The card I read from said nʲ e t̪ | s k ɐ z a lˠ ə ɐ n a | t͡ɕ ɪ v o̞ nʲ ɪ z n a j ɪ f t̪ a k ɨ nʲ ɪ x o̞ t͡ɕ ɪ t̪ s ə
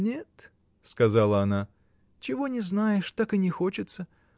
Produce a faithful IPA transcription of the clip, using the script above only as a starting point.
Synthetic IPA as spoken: nʲ e t̪ | s k ɐ z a lˠ ə ɐ n a | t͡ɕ ɪ v o̞ nʲ ɪ z n a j ɪ ʂ t̪ a k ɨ nʲ ɪ x o̞ t͡ɕ ɪ t̪ s ə